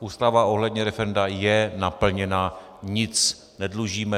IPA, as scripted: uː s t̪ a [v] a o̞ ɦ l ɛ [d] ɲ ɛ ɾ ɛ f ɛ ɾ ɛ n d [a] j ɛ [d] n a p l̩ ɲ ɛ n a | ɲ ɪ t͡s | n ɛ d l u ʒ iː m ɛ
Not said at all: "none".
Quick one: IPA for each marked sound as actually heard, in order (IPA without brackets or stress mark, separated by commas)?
v, d, a, none